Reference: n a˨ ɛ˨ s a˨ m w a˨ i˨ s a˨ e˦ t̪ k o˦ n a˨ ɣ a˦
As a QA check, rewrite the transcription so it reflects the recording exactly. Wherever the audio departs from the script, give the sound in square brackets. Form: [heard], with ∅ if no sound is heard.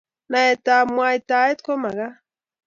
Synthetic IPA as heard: n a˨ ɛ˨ [t] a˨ m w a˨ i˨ [t] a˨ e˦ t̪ k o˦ [m] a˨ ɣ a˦